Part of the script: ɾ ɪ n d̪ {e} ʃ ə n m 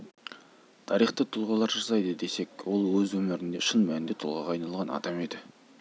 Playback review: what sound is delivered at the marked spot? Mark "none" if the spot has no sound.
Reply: e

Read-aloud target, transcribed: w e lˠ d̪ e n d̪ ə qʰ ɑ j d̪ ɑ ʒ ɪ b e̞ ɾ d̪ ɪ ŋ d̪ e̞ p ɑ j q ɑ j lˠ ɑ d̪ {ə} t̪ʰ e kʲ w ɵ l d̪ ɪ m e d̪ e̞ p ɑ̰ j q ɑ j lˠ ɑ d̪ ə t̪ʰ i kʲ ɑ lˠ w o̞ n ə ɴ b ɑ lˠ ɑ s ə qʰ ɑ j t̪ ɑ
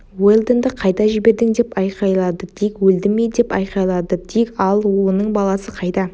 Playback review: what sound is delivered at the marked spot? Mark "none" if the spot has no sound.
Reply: ə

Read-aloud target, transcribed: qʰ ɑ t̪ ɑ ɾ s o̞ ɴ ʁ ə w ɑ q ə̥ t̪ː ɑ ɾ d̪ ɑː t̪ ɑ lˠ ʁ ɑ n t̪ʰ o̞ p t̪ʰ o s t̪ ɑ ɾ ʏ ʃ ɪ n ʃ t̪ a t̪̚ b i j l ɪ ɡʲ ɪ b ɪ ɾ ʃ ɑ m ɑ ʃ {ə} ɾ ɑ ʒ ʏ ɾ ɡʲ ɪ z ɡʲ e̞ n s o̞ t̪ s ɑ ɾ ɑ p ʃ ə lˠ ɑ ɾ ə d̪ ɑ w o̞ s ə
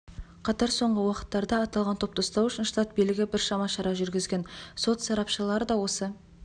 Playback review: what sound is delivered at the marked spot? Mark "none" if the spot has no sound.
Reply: ɑ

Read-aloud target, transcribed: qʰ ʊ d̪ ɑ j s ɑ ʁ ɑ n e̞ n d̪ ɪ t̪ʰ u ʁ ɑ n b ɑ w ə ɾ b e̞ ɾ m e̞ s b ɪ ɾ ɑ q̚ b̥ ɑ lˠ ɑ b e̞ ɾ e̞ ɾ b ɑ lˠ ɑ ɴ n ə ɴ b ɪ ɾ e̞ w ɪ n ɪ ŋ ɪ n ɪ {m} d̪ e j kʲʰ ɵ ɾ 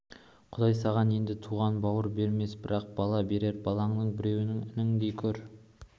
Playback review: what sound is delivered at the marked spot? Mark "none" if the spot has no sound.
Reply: ŋ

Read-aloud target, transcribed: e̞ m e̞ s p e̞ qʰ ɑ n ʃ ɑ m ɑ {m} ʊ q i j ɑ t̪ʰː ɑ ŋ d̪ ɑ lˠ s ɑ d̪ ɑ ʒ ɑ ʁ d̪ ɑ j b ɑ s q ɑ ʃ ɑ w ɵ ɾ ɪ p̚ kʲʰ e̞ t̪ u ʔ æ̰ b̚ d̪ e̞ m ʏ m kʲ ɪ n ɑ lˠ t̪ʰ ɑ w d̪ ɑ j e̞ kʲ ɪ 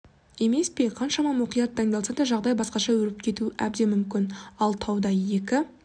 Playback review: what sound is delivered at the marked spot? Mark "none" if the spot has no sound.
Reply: m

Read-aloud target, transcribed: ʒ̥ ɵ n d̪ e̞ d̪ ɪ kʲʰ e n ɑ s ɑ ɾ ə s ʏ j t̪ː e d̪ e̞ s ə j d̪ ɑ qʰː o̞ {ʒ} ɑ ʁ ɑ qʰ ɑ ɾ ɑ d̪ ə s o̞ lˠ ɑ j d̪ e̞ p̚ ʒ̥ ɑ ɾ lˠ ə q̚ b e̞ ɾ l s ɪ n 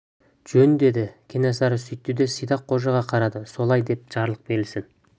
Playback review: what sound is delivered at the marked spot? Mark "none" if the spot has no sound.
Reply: ʒ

